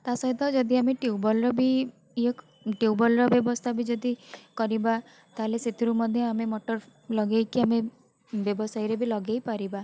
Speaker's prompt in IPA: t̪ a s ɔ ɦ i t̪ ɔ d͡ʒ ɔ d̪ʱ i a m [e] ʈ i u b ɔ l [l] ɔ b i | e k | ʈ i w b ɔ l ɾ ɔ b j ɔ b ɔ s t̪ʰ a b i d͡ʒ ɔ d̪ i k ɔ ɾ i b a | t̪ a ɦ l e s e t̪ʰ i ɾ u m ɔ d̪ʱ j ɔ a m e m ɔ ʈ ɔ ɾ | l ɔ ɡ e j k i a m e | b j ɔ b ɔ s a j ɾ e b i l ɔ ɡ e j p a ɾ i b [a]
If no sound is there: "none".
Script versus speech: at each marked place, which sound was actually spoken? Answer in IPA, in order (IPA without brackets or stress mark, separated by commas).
e, ɾ, a